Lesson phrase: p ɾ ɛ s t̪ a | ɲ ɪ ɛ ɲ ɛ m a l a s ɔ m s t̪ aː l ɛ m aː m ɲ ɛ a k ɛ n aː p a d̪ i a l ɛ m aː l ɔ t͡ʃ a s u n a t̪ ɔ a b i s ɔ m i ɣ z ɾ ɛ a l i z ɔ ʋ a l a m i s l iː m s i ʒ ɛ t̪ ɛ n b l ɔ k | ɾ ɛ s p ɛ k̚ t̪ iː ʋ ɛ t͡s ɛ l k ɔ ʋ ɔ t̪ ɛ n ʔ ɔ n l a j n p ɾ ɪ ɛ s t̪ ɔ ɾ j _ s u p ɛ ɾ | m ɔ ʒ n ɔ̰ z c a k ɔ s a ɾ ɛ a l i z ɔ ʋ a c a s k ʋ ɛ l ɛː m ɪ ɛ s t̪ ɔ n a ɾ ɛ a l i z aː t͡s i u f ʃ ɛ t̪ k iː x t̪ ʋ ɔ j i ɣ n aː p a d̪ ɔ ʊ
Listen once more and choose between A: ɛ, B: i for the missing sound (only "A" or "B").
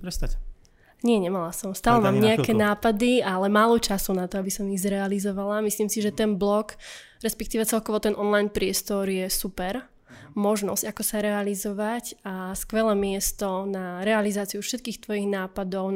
A